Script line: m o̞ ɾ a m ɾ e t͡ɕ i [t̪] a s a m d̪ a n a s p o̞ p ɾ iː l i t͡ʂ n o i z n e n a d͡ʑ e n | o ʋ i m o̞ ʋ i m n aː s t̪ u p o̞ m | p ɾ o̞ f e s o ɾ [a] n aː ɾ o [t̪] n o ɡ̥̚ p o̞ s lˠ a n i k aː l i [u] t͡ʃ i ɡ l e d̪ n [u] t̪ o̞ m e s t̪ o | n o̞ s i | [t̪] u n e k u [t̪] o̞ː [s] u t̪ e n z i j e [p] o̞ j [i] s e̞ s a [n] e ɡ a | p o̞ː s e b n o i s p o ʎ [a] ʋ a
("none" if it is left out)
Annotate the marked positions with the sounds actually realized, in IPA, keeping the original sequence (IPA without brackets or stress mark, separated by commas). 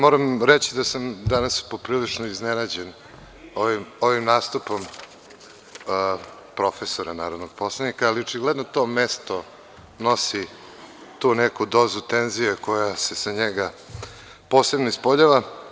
d̪, a, d̪, o, o, t̪, d̪, z, k, a, ɲ, a